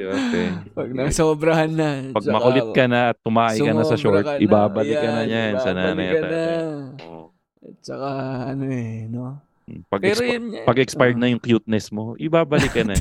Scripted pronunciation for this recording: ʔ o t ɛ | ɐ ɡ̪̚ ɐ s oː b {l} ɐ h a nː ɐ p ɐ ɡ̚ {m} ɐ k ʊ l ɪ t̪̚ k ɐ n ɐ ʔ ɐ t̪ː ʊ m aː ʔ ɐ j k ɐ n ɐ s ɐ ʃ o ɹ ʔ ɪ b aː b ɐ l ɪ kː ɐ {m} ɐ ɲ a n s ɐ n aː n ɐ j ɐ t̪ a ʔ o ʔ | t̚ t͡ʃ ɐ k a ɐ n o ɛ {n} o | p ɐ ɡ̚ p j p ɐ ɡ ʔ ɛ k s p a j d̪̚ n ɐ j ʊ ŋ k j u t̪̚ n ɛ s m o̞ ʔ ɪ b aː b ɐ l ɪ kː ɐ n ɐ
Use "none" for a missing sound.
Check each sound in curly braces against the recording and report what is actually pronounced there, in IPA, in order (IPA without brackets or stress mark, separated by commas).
ɾ, m, n, n